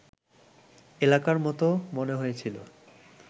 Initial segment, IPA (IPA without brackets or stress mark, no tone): e